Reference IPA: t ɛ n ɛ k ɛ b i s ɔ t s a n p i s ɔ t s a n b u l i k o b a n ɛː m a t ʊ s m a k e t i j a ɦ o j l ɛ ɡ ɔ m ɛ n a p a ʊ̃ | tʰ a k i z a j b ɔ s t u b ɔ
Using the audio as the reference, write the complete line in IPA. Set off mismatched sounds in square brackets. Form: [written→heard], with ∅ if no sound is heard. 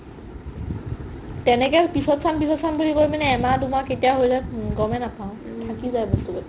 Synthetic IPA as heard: t ɛ n ɛ k ɛ [b→p] i s ɔ t s a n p i s ɔ t s a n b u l i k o [b→m] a n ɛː m a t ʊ [s→∅] m a k e t i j a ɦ o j l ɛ ɡ ɔ m ɛ n a p a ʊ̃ | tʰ a k i z a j b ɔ s t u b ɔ